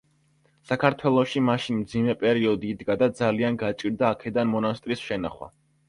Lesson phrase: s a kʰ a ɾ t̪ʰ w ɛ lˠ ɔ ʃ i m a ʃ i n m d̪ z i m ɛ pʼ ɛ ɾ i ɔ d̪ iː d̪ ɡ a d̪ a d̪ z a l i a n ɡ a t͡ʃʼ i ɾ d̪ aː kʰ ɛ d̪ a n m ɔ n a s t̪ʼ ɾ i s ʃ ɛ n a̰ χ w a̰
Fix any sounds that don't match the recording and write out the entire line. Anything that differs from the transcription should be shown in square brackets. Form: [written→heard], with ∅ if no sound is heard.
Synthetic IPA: s a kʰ a ɾ t̪ʰ w ɛ lˠ ɔ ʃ i m a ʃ i n m d̪ z i m ɛ pʼ ɛ ɾ i ɔ d̪ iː d̪ ɡ a d̪ a d̪ z a l i a n ɡ a t͡ʃʼ i ɾ d̪ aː kʰ ɛ d̪ a n m ɔ n a s t̪ʼ ɾ i s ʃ ɛ n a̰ χ w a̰